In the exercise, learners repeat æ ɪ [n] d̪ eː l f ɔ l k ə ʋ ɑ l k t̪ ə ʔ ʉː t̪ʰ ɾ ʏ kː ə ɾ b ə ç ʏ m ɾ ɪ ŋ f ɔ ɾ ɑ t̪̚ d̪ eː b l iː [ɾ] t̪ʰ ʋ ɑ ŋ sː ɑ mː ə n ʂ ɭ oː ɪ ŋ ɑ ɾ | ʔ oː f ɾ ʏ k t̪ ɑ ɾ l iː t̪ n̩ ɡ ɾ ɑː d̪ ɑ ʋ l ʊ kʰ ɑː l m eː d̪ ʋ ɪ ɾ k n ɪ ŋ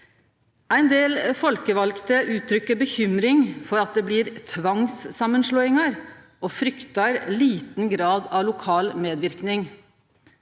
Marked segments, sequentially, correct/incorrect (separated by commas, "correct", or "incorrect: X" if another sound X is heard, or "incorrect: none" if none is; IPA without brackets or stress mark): correct, correct